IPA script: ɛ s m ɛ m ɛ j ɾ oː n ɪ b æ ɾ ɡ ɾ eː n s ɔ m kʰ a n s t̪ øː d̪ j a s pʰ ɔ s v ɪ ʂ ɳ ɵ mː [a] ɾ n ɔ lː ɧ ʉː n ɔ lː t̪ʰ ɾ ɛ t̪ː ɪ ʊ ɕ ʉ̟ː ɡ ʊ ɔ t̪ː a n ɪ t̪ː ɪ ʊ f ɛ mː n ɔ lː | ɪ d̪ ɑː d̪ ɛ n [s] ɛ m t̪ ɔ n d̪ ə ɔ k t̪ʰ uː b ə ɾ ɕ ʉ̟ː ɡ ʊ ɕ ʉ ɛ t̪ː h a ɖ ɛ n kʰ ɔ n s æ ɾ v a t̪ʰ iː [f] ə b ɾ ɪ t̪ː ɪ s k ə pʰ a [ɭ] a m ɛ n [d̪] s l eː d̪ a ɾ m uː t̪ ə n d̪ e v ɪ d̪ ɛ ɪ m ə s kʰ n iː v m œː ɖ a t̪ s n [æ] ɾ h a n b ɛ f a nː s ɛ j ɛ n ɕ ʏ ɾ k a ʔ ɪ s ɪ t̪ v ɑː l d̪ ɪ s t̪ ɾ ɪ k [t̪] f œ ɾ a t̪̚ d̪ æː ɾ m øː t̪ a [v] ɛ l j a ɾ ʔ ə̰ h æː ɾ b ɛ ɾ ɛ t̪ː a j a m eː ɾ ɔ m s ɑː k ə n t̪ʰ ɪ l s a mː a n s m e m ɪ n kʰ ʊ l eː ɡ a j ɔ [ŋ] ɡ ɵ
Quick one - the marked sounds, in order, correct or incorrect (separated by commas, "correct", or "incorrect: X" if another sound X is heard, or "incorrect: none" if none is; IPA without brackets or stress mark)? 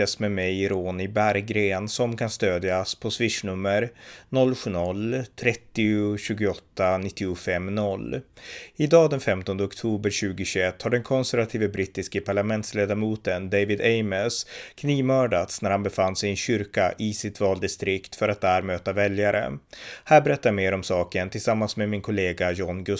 incorrect: ə, incorrect: f, incorrect: v, correct, incorrect: t̪, correct, correct, correct, incorrect: n